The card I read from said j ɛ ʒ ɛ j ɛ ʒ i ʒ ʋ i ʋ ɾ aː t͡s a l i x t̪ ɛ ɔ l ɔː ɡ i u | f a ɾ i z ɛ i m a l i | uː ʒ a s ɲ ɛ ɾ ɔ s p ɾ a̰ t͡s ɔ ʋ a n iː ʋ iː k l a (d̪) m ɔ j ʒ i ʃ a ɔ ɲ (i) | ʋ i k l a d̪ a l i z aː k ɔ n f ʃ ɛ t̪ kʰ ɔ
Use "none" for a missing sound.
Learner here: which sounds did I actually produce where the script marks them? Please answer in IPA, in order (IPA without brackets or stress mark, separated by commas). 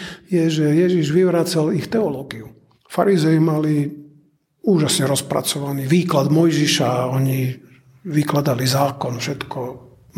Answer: d̪, i